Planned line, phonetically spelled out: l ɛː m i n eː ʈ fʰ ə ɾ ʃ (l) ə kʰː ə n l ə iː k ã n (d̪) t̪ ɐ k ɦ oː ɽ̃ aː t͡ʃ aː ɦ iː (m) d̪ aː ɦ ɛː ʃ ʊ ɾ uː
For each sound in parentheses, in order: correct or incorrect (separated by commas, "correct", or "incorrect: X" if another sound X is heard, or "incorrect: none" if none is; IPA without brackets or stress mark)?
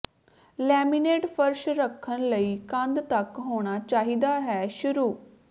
incorrect: ɾ, correct, incorrect: none